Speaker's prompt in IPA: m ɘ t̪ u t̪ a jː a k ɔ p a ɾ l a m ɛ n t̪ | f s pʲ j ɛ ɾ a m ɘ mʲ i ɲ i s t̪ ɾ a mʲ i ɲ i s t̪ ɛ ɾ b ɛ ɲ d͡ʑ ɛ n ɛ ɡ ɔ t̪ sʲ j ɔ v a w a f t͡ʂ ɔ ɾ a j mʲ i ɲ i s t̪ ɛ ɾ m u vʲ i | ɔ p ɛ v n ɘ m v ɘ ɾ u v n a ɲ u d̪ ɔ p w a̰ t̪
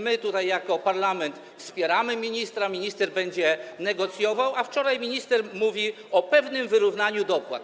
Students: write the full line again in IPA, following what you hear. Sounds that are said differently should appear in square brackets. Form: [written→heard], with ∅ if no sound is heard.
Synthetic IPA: m ɘ t̪ u t̪ a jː a k ɔ p a ɾ l a m ɛ n t̪ | f s pʲ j ɛ ɾ a m ɘ mʲ i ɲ i s t̪ ɾ a mʲ i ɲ i s t̪ ɛ ɾ b ɛ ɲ d͡ʑ ɛ n ɛ ɡ ɔ t̪ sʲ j ɔ v a w a f t͡ʂ ɔ ɾ a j mʲ i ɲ i s t̪ ɛ ɾ m u vʲ i | ɔ p ɛ v n ɘ m v ɘ ɾ u v n a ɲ u d̪ ɔ p w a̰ t̪